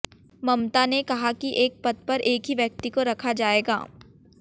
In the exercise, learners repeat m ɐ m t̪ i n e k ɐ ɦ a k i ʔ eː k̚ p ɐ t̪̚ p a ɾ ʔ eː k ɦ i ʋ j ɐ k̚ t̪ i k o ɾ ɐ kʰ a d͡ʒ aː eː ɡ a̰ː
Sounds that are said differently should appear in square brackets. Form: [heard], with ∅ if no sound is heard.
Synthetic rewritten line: m ɐ m t̪ [a] n e k ɐ ɦ a k i ʔ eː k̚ p ɐ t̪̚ p [ɐ] ɾ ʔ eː k ɦ i ʋ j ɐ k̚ t̪ i k o ɾ ɐ kʰ a d͡ʒ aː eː ɡ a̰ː

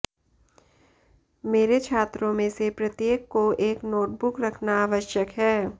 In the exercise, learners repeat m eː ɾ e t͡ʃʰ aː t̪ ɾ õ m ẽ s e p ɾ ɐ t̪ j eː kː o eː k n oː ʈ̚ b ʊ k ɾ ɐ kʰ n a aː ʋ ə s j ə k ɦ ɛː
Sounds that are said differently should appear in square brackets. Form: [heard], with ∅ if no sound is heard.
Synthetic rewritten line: m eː ɾ e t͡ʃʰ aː t̪ ɾ õ m ẽ s e p ɾ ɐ t̪ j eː kː o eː k n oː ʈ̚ b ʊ k ɾ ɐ kʰ n a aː ʋ ə [ʃ] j ə k ɦ ɛː

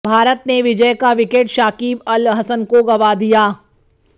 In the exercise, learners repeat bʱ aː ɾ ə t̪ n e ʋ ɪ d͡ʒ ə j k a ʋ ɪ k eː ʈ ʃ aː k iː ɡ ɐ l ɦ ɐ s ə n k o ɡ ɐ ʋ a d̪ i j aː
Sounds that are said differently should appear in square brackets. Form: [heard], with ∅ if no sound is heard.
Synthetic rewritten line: bʱ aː ɾ ə t̪ n e ʋ ɪ d͡ʒ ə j k a ʋ ɪ k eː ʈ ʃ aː k iː [b] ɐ l ɦ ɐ s ə n k o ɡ ɐ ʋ a d̪ i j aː

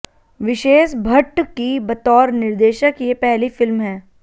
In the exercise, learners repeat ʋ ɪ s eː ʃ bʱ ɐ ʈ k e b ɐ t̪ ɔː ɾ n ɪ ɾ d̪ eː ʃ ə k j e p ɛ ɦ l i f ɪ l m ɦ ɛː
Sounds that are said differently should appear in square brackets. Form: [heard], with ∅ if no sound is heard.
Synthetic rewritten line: ʋ ɪ [ʃ] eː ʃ bʱ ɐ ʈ k [i] b ɐ t̪ ɔː ɾ n ɪ ɾ d̪ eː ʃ ə k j e p ɛ ɦ l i f ɪ l m ɦ ɛː

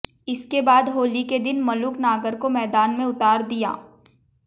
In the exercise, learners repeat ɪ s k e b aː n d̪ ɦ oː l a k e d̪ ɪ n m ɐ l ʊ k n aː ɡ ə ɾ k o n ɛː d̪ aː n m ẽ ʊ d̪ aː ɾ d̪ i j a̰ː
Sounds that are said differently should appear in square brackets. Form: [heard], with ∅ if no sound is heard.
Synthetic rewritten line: ɪ s k e b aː [∅] d̪ ɦ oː l [i] k e d̪ ɪ n m ɐ l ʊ k n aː ɡ ə ɾ k o [m] ɛː d̪ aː n m ẽ ʊ [t̪] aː ɾ d̪ i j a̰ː

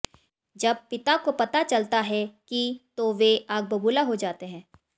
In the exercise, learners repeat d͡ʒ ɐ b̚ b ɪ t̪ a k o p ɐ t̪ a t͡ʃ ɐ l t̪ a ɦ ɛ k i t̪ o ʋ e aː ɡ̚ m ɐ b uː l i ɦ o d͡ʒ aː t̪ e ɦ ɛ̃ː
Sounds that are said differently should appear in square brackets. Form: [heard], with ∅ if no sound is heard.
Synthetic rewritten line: d͡ʒ ɐ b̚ [p] ɪ t̪ a k o p ɐ t̪ a t͡ʃ ɐ l t̪ a ɦ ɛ k i t̪ o ʋ e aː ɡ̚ [b] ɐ b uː l [a] ɦ o d͡ʒ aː t̪ e ɦ ɛ̃ː

